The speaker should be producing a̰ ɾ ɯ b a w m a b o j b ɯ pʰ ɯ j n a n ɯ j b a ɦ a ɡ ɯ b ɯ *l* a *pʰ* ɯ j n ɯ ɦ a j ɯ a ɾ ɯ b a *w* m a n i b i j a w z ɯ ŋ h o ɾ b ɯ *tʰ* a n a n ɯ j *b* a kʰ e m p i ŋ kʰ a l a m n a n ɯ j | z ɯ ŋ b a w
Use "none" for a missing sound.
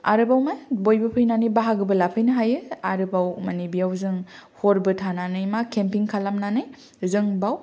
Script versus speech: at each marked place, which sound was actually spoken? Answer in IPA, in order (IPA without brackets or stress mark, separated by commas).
l, pʰ, w, tʰ, m